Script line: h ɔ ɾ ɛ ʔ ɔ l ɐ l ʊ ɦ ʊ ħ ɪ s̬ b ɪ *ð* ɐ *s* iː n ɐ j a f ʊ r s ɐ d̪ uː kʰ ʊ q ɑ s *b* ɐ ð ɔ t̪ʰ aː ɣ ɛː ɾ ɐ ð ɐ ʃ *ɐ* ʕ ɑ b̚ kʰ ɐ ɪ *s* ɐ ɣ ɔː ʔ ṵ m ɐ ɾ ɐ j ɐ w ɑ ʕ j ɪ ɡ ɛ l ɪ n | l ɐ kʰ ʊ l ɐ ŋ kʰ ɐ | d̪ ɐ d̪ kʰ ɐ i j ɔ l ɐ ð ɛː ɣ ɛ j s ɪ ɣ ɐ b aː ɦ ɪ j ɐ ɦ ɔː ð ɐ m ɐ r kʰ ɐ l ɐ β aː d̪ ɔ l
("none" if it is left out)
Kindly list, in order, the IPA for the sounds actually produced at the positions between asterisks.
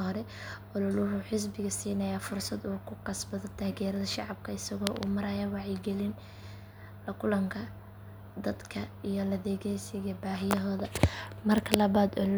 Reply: ɣ, s, b, ɑ, s

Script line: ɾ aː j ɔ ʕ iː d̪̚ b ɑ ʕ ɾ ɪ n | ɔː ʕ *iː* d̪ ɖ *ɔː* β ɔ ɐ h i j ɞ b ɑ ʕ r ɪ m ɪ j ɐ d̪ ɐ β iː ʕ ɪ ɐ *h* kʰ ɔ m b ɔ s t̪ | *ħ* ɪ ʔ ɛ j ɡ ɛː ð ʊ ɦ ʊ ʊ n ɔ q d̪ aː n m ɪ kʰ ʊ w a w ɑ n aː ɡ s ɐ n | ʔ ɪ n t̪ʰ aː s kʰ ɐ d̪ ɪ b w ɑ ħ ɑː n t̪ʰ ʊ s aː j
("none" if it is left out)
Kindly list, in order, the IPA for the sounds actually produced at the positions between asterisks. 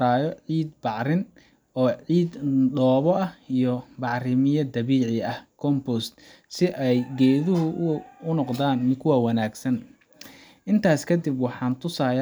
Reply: iː, ɔː, h, s

